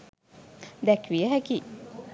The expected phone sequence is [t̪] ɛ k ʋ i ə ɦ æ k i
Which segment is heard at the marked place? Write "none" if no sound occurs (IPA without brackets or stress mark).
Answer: d̪